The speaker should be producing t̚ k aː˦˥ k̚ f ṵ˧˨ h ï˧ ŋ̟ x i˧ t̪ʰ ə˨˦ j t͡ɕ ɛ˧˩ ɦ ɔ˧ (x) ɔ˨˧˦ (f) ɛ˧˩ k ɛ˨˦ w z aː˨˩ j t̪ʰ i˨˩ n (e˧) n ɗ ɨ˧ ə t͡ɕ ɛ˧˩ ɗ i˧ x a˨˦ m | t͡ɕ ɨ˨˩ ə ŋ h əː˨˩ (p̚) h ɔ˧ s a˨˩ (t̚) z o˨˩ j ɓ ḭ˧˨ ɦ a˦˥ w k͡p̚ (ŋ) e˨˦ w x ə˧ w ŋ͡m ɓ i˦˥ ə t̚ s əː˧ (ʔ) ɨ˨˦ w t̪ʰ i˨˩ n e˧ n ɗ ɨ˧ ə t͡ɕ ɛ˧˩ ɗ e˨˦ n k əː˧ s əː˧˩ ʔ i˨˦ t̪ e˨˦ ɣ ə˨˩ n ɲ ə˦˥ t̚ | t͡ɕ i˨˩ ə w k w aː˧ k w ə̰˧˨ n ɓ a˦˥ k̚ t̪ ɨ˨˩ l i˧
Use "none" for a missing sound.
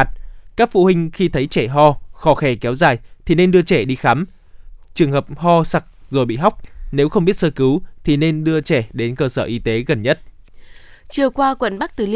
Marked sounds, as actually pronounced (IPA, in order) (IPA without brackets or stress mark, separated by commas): x, x, e˧, p̚, k̚, n, k